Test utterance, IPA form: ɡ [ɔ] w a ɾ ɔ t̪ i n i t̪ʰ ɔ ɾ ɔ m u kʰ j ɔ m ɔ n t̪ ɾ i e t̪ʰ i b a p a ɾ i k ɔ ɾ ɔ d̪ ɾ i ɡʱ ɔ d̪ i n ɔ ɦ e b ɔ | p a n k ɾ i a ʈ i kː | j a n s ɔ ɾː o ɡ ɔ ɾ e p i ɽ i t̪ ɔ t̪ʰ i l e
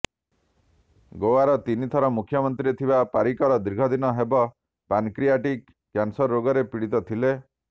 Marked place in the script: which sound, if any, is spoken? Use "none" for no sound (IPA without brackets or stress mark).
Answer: o